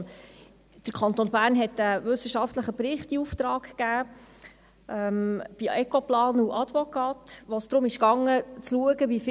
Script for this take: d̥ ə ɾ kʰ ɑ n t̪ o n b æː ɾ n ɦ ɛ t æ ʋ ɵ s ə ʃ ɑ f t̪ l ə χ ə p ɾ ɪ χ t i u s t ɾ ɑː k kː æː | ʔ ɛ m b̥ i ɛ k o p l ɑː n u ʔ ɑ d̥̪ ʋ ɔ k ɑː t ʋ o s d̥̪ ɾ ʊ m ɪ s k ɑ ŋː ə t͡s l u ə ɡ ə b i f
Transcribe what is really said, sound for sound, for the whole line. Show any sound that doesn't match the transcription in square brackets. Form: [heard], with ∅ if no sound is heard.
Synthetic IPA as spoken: d̥ ə ɾ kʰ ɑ n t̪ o n b æː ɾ n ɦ ɛ t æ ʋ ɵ s ə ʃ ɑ f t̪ l ə χ ə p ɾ ɪ χ t i u [f] t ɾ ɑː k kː æː | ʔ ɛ m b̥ i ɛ k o p l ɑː n u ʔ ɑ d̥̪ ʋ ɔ k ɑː t ʋ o s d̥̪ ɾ ʊ m ɪ [ʃ] k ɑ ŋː ə t͡s l u ə ɡ ə b i f